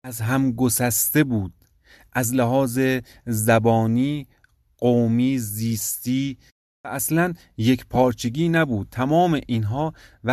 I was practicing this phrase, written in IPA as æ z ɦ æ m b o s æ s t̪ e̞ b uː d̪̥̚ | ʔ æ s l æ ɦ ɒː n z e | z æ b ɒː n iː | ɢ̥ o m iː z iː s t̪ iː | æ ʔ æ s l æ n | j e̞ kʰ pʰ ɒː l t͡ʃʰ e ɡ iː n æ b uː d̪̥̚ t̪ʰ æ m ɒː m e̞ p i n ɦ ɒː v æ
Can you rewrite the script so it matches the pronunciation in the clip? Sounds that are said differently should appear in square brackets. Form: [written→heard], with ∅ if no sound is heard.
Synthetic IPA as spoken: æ z ɦ æ m [b→ɡ] o s æ s t̪ e̞ b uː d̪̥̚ | ʔ æ [s→z] l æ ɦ ɒː [n→∅] z e | z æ b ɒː n iː | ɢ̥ o m iː z iː s t̪ iː | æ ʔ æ s l æ n | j e̞ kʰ pʰ ɒː [l→ɾ] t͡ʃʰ e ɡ iː n æ b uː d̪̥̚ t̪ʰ æ m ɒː m e̞ [p→ʔ] i n ɦ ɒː v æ